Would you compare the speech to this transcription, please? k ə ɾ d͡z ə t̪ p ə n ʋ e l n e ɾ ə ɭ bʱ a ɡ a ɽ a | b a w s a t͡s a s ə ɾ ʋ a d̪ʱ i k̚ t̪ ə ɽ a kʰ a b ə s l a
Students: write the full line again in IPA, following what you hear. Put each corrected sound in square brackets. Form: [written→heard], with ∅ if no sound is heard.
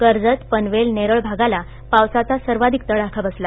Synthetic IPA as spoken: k ə ɾ d͡z ə t̪ p ə n ʋ e l n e ɾ ə ɭ bʱ a ɡ a [ɽ→l] a | [b→p] a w s a t͡s a s ə ɾ ʋ a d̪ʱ i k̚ t̪ ə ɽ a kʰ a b ə s l a